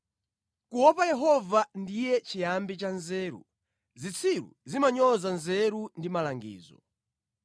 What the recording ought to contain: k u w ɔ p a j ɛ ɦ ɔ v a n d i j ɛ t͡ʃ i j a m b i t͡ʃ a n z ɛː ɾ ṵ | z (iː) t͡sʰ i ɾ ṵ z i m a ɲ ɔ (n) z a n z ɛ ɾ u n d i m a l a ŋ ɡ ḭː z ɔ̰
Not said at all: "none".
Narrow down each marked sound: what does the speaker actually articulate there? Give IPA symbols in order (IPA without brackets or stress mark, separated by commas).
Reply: i, none